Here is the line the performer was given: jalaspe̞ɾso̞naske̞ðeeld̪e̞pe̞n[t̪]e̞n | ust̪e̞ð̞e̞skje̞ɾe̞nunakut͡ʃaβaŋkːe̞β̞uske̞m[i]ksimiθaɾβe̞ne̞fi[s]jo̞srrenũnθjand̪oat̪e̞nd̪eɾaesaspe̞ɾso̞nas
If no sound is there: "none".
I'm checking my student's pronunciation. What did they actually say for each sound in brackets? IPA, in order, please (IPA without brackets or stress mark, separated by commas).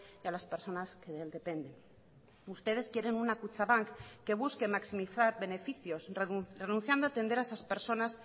d̪, a, θ